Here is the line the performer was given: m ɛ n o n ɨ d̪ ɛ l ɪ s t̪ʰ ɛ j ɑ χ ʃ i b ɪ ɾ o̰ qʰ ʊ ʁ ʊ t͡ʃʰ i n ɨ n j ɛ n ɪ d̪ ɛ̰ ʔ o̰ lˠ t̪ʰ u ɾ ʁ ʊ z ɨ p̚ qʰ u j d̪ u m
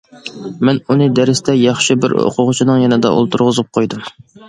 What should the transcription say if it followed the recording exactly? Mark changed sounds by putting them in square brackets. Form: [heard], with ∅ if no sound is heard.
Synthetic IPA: m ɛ n [u] n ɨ d̪ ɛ [ɾ] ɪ s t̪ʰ ɛ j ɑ χ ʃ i b ɪ ɾ o̰ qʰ ʊ ʁ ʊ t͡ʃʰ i n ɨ [ŋ] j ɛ n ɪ d̪ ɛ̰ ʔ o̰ lˠ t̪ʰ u ɾ ʁ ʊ z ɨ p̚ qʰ [o] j d̪ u m